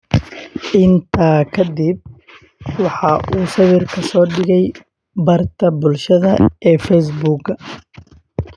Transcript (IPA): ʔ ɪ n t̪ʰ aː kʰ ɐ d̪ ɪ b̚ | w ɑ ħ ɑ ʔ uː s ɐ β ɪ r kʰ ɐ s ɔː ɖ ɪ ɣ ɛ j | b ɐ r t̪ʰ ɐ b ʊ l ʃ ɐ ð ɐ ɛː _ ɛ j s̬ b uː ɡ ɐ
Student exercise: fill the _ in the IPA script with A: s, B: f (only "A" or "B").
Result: B